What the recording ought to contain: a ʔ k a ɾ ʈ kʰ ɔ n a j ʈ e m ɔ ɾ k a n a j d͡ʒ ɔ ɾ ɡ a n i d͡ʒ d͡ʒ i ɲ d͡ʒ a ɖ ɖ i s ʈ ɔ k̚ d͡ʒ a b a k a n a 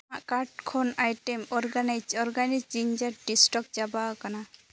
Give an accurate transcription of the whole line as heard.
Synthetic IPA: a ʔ k a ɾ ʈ kʰ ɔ n a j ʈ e m ɔ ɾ ɡ a n a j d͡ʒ ɔ ɾ ɡ a n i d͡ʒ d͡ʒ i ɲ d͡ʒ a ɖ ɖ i s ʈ ɔ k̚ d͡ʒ a b a k a n a